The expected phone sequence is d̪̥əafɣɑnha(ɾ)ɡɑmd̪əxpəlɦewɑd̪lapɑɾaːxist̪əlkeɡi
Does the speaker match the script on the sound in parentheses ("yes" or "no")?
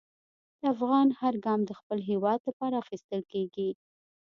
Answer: yes